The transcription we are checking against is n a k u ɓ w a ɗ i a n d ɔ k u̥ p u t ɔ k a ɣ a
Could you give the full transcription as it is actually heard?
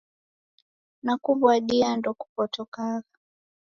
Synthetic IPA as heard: n a k u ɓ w a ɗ i a n d ɔ k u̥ p ɔ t ɔ k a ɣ a